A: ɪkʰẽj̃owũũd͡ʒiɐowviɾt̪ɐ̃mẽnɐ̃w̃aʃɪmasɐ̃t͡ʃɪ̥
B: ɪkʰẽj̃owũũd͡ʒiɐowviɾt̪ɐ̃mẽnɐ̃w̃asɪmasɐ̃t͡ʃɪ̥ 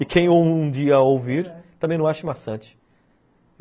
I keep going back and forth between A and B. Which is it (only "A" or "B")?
A